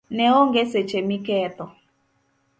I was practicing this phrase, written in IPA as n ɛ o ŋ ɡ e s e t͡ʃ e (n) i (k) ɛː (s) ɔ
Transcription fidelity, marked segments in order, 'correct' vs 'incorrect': incorrect: m, correct, incorrect: t

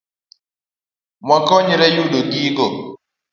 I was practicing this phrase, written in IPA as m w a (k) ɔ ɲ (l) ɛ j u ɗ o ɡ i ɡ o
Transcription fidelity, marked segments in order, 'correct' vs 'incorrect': correct, incorrect: ɾ

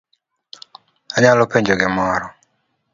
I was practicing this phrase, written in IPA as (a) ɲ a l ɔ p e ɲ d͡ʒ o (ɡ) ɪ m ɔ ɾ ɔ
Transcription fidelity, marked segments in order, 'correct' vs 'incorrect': correct, correct

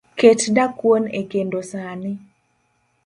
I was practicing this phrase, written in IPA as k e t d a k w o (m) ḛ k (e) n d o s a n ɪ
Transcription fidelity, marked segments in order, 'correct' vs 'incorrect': incorrect: n, correct

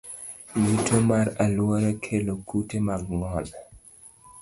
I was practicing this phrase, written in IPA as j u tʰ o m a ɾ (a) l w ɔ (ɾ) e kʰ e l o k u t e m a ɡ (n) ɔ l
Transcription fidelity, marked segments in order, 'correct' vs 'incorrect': correct, correct, incorrect: ŋ

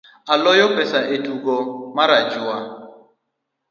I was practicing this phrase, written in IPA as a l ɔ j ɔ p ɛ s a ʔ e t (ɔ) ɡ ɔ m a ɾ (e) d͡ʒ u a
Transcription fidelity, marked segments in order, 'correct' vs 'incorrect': incorrect: u, incorrect: a

